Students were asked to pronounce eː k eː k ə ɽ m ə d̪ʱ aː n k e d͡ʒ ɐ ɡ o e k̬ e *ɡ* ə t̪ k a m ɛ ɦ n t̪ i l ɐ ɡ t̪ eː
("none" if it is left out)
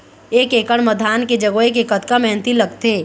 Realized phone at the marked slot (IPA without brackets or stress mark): k